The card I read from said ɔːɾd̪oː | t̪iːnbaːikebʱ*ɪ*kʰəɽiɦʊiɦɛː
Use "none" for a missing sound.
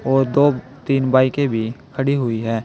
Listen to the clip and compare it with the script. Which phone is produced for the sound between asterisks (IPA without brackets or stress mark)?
i